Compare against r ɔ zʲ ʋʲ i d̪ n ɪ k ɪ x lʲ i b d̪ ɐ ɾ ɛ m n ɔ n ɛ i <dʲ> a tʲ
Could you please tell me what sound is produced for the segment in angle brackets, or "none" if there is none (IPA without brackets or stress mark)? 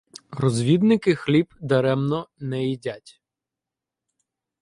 dʲ